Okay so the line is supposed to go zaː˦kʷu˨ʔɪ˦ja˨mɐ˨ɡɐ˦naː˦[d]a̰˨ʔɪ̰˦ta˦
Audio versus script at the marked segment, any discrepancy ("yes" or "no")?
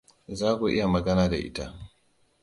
no